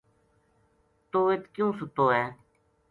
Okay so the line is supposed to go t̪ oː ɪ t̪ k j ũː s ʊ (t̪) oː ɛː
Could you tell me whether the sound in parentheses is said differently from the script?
no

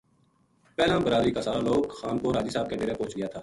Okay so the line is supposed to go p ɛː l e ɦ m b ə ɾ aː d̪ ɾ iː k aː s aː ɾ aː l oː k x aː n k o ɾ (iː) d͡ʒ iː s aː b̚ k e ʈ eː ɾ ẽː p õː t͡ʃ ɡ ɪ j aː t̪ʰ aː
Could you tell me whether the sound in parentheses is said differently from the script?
yes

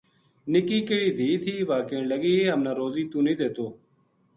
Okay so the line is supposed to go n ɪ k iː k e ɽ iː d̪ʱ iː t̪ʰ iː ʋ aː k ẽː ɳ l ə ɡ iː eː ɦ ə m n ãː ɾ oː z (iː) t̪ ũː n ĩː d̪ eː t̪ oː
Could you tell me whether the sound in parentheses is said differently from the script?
no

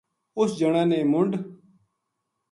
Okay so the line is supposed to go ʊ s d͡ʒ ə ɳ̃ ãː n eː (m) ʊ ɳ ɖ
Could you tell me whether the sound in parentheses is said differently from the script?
no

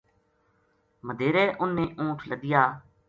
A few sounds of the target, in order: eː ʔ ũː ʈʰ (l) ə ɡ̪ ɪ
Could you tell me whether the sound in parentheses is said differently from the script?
no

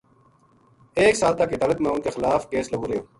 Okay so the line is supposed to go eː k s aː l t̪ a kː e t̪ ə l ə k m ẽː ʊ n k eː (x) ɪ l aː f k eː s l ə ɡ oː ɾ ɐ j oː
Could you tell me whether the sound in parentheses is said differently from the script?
no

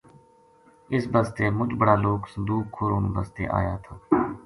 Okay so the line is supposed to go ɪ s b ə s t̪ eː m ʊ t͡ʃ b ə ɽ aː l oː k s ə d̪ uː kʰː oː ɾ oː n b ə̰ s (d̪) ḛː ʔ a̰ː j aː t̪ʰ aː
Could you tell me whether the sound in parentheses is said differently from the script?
yes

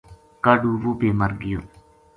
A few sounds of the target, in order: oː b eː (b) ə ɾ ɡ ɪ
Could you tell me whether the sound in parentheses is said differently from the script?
yes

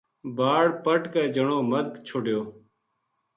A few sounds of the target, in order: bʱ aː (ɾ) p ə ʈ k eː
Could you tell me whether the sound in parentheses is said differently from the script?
yes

